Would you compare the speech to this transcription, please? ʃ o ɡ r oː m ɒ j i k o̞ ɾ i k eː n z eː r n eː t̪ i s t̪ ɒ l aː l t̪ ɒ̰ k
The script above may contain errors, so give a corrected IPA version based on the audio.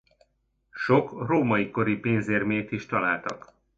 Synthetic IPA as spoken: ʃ o k r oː m ɒ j i k o̞ ɾ i p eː n z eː r m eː t̪ i ʃ t̪ ɒ l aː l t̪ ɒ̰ k